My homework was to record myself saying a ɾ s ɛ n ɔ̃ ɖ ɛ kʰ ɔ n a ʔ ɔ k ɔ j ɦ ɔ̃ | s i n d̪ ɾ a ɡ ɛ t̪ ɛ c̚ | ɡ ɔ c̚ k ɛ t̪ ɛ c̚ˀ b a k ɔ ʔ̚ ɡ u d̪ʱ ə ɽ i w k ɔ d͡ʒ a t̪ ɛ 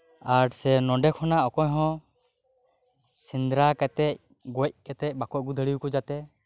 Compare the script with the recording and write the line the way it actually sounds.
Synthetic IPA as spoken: a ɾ s ɛ n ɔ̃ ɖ ɛ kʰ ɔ n a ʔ ɔ k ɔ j ɦ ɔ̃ | s i n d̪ ɾ a k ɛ t̪ ɛ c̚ | ɡ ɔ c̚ k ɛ t̪ ɛ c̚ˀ b a k ɔ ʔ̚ ɡ u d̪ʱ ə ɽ i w k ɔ d͡ʒ a t̪ ɛ